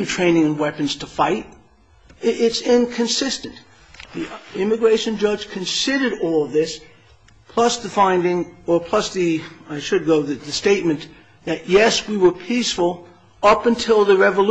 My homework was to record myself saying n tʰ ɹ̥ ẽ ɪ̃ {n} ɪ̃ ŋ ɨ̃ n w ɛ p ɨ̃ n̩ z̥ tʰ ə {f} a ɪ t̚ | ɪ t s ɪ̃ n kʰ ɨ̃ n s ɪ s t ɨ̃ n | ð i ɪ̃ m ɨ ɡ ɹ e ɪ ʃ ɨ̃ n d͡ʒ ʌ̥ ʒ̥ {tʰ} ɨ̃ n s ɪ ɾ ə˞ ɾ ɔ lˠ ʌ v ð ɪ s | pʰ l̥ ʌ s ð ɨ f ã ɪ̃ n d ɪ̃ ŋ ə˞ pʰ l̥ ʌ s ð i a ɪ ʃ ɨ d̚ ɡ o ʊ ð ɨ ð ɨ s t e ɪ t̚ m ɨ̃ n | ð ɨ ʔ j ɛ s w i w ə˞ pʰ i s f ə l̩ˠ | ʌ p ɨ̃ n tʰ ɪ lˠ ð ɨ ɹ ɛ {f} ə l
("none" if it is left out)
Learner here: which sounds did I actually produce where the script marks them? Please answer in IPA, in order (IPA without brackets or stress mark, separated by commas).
n, f, kʰ, v